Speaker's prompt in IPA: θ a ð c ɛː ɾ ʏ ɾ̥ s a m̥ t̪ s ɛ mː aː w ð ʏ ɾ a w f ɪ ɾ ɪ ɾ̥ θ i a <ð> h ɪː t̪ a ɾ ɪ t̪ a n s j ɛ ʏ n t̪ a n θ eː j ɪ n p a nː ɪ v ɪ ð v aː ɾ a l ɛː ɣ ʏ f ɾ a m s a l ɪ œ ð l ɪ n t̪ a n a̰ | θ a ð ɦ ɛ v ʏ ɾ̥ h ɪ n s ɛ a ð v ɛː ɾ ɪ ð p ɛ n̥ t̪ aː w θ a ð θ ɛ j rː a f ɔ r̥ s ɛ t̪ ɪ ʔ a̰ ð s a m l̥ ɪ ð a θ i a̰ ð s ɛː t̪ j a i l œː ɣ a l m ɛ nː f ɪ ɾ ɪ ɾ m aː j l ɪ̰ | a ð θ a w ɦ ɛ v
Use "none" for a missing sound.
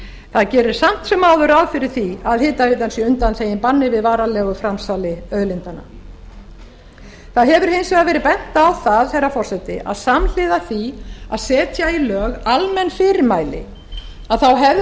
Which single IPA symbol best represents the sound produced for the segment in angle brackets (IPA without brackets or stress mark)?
ð